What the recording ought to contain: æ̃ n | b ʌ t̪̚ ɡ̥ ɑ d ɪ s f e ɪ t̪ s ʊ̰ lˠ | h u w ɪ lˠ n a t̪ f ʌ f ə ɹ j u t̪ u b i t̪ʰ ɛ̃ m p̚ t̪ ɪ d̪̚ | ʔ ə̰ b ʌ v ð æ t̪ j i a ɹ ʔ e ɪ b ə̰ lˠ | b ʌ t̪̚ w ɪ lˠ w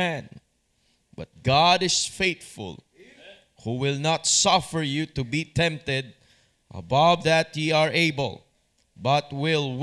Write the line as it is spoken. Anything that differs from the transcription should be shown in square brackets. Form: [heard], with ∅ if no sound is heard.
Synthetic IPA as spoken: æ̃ n | b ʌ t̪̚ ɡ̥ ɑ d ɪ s f e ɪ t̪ [f] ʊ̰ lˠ | h u w ɪ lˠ n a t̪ [s] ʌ f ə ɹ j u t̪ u b i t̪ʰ ɛ̃ m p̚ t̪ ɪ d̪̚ | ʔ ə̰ b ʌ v ð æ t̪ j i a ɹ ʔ e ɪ b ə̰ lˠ | b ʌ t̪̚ w ɪ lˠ w